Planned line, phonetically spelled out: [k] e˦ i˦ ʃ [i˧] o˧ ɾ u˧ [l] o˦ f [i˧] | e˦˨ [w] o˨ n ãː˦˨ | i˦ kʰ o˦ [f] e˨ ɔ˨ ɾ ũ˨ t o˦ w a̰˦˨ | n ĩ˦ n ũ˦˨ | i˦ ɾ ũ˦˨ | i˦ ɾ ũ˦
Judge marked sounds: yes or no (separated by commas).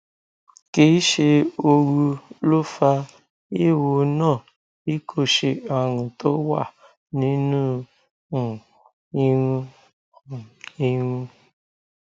yes, no, yes, no, yes, no